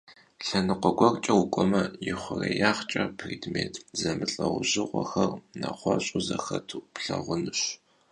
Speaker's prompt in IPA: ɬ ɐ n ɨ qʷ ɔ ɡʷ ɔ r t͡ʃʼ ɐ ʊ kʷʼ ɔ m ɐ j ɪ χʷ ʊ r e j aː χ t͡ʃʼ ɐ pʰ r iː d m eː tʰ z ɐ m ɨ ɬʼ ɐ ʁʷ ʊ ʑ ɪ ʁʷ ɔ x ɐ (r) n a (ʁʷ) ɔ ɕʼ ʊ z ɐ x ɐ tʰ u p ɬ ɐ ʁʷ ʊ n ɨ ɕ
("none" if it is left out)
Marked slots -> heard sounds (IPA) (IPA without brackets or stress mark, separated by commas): r, χʷ